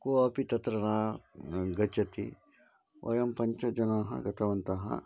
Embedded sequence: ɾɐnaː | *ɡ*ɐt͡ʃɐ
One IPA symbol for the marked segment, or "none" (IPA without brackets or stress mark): ɡ